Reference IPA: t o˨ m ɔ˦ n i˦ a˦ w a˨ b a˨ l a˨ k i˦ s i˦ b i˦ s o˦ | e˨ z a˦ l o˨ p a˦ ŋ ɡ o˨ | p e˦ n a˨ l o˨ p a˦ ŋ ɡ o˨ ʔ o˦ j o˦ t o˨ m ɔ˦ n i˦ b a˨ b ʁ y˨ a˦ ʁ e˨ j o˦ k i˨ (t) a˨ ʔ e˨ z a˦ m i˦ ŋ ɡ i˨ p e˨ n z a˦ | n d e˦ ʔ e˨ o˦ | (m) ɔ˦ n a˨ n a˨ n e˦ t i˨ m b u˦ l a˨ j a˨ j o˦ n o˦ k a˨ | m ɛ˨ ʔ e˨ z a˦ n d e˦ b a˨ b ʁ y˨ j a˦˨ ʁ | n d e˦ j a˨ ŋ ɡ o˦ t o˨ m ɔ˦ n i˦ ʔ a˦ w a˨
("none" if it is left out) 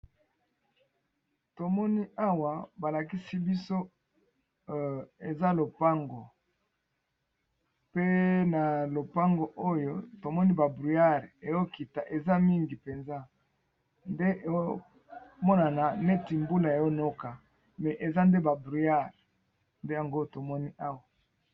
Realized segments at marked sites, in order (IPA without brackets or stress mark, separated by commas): t, m